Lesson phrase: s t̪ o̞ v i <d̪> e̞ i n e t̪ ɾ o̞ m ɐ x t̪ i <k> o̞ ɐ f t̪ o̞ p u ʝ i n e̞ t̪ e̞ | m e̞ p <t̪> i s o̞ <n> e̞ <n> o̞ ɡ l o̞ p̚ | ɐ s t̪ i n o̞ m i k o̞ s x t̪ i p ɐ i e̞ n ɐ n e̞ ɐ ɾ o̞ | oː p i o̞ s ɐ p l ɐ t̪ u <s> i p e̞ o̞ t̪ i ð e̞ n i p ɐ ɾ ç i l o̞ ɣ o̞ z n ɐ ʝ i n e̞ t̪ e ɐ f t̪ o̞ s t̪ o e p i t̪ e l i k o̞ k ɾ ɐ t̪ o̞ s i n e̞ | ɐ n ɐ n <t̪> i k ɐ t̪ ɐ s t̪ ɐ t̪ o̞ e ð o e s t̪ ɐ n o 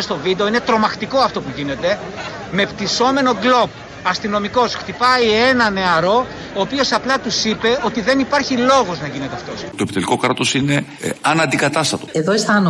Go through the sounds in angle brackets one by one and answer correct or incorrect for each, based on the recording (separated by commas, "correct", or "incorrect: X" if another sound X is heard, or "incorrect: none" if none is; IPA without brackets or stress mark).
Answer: correct, correct, correct, incorrect: m, correct, correct, incorrect: d̪